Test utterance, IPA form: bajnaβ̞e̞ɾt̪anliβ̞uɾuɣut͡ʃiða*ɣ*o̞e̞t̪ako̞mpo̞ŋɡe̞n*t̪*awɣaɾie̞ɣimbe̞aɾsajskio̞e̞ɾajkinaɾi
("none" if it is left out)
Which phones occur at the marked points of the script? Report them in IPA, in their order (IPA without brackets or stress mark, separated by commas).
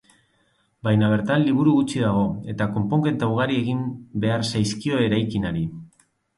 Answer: ɣ, t̪